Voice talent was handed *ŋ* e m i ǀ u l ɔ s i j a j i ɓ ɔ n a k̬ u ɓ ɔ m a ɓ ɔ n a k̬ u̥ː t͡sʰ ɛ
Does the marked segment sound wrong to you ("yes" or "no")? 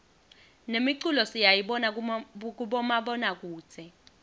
yes